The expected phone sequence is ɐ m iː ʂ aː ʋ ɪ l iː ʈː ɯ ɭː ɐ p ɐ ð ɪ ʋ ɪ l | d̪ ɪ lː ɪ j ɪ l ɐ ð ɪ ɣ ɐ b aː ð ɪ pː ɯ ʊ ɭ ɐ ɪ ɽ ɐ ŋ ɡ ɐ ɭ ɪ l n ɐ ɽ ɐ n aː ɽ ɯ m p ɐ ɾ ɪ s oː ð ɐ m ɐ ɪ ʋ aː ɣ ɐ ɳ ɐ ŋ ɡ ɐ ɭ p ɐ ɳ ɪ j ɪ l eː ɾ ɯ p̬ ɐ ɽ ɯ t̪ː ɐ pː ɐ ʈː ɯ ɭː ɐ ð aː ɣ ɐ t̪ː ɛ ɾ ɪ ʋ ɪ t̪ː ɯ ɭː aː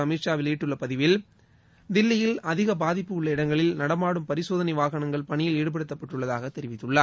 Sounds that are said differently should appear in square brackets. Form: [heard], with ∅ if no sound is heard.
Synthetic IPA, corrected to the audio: ɐ m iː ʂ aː ʋ ɪ l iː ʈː ɯ ɭː ɐ p ɐ ð ɪ ʋ ɪ l | d̪ ɪ lː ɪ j ɪ l ɐ ð ɪ ɣ ɐ b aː ð ɪ pː ɯ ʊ [ɭː] ɐ ɪ ɽ ɐ ŋ ɡ ɐ ɭ ɪ l n ɐ ɽ ɐ [m] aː ɽ ɯ m p ɐ ɾ ɪ s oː ð ɐ [n] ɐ ɪ ʋ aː ɣ ɐ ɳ ɐ ŋ ɡ ɐ ɭ p ɐ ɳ ɪ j ɪ l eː [ɽ] ɯ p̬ ɐ ɽ ɯ t̪ː ɐ pː ɐ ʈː ɯ ɭː ɐ ð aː ɣ ɐ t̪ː ɛ ɾ ɪ ʋ ɪ t̪ː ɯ ɭː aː